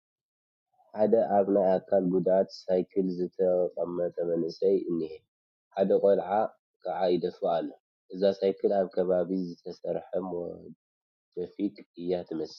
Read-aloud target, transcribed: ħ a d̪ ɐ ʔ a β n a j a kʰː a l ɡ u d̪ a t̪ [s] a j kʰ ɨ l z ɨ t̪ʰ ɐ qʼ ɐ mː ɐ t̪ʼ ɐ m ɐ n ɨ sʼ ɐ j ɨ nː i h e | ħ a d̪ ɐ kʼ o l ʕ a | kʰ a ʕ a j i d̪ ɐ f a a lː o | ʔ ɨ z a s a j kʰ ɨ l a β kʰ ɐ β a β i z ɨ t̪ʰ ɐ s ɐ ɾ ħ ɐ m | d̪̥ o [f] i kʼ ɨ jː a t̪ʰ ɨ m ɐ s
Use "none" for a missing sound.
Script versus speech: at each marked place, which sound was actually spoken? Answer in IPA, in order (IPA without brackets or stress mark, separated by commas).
s, f